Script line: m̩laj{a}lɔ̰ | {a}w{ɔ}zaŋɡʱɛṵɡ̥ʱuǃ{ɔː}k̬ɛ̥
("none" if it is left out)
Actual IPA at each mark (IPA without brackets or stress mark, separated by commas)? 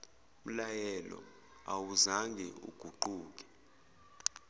ɛ, a, u, uː